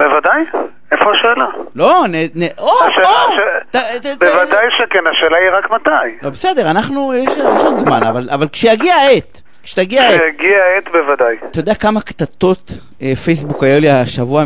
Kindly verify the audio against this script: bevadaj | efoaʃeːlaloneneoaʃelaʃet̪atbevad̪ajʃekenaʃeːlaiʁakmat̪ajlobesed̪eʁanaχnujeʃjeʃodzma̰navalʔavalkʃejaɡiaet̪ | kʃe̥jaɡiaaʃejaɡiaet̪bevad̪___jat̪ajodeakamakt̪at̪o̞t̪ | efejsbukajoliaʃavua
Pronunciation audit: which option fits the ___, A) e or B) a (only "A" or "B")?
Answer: B